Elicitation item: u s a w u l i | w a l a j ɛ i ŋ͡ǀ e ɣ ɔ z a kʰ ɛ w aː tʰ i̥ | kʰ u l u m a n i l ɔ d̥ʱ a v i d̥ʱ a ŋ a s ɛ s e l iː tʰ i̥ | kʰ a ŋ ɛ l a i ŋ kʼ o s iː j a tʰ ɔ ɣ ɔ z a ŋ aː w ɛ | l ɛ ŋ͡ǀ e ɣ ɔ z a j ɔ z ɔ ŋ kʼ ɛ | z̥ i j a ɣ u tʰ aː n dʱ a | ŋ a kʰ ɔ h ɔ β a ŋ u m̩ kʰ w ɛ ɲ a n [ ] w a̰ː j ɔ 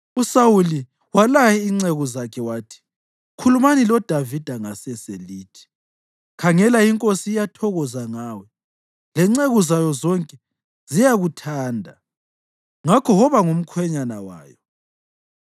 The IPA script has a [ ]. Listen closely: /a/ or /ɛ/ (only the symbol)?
a